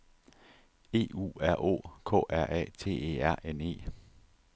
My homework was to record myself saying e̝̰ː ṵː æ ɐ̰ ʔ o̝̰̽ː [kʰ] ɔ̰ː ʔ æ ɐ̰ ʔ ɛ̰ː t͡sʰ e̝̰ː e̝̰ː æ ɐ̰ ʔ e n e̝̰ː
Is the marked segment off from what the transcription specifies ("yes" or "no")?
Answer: no